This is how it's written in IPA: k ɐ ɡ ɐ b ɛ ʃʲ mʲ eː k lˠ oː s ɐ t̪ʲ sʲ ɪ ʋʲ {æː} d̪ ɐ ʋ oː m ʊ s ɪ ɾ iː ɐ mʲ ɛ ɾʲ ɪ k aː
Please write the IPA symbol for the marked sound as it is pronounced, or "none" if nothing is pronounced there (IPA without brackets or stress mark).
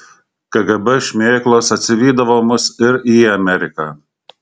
iː